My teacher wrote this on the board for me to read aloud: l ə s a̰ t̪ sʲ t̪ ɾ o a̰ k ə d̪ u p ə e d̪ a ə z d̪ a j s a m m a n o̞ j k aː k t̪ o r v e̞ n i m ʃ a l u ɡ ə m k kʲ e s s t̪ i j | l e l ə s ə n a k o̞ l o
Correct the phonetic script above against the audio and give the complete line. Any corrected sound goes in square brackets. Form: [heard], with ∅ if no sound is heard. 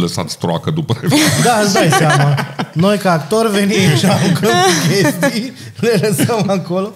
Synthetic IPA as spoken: l ə s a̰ t̪ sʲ t̪ ɾ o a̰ k ə d̪ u p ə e d̪ a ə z d̪ a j s a m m a n o̞ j k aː k t̪ o r v e̞ n i m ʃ a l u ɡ ə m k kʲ e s s t̪ i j | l e l ə s ə [m] a k o̞ l o